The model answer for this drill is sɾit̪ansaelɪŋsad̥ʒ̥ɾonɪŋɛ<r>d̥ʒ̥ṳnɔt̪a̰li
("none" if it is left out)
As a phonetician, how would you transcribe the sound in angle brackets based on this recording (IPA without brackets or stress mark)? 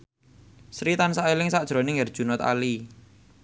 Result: r